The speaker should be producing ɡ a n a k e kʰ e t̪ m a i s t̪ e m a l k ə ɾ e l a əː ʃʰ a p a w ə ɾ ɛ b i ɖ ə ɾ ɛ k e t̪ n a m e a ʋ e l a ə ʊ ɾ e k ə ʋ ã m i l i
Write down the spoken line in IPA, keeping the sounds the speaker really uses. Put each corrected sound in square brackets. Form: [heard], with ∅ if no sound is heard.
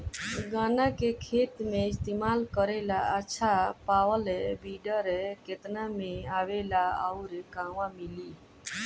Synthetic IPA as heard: ɡ a n a k e kʰ e t̪ m [e] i s t̪ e m a l k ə ɾ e l a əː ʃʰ a p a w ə [l] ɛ b i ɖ ə ɾ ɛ k e t̪ n a m e a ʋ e l a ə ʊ ɾ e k [a] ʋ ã m i l i